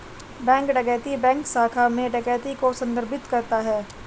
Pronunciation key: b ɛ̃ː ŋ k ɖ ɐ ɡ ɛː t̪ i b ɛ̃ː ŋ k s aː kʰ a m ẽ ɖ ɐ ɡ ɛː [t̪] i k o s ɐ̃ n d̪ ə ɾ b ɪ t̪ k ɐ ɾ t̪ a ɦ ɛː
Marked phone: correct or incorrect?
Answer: correct